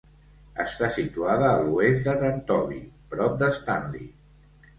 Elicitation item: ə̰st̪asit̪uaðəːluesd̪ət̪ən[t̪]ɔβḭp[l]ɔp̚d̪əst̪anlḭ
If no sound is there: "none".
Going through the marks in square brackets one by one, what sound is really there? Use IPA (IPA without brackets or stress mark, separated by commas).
t̪, ɾ